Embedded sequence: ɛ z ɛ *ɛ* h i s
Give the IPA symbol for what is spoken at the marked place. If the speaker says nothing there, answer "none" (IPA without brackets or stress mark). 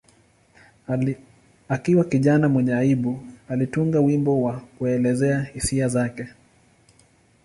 a